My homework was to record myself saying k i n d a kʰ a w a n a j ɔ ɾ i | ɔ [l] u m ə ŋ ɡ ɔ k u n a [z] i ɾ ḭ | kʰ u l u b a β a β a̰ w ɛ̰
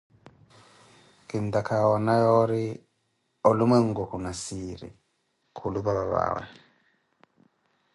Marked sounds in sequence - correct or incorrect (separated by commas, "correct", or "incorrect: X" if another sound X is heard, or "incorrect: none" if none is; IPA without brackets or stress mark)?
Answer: correct, incorrect: s